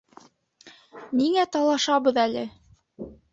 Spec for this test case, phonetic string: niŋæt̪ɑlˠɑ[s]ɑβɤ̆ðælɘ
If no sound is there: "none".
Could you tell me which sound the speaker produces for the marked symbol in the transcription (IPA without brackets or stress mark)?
ʃ